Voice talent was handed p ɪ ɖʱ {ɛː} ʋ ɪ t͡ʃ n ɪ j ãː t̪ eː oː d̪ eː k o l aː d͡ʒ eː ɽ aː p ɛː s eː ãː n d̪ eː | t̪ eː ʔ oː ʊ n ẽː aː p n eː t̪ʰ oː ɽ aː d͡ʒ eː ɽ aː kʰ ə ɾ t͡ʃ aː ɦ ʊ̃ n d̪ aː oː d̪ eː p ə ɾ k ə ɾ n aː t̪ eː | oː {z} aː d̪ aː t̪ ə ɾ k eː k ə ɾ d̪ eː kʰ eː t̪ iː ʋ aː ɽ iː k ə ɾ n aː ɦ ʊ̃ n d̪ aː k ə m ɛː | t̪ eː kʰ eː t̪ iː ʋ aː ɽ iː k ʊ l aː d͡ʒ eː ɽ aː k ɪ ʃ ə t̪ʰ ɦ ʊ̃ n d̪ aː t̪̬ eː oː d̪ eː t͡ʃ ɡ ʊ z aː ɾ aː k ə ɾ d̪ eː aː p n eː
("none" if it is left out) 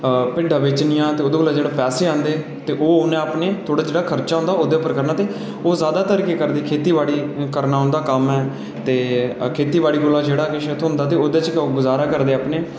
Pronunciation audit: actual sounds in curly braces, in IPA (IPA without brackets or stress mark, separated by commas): aː, z